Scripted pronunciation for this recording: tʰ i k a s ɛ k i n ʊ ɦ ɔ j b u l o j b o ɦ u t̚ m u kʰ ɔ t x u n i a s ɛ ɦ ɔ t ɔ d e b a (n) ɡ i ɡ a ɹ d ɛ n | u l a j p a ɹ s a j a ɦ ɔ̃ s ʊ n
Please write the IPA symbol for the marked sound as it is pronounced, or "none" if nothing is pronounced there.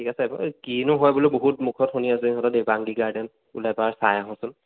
ŋ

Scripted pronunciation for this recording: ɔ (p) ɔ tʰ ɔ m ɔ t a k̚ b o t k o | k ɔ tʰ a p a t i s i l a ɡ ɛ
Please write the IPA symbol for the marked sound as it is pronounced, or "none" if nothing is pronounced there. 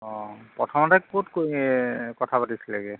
p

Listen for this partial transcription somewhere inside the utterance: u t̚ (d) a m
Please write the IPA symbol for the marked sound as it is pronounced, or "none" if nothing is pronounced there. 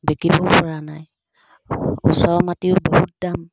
d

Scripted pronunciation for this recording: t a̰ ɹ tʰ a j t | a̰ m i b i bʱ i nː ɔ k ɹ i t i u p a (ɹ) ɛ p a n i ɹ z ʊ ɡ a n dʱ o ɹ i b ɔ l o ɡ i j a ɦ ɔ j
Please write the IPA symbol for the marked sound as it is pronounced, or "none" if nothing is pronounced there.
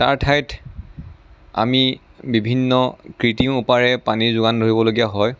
ɹ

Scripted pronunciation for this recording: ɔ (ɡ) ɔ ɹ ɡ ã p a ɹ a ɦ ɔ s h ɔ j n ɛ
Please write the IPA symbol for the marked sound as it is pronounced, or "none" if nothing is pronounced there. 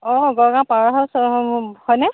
ɡ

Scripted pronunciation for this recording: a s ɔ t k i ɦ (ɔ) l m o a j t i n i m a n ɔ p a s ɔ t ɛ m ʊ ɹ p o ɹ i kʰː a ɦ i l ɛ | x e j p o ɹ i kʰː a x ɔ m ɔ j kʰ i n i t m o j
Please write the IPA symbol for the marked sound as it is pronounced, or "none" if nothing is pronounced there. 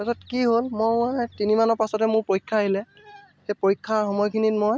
o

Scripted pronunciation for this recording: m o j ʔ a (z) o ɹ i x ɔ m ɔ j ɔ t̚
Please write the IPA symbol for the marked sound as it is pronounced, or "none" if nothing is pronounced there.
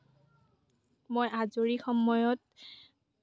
z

